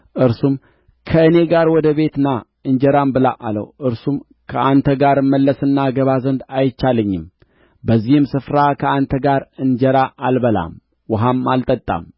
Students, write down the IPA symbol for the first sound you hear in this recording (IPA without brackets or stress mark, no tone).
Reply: ʔ